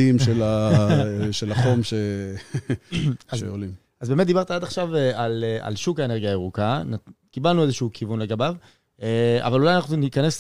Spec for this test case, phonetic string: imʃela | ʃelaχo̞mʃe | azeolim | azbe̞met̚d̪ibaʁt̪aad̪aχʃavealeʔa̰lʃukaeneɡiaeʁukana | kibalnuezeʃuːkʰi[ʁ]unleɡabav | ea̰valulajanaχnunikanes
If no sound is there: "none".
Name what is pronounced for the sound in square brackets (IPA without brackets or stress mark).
v